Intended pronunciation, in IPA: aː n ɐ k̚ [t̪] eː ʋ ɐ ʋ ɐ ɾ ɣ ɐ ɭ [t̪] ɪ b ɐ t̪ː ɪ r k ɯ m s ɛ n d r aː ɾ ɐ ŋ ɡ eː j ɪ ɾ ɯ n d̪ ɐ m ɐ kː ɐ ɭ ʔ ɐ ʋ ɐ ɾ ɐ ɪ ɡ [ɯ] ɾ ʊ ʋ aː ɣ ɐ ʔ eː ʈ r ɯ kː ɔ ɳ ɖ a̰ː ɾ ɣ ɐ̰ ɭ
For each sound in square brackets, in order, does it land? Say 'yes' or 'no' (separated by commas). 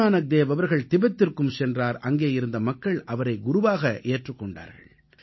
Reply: no, yes, no